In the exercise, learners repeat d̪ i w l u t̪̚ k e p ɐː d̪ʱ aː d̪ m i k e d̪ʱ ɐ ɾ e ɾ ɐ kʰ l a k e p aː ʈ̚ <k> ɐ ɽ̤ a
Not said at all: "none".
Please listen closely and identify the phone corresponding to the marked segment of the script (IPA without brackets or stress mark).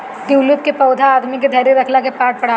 p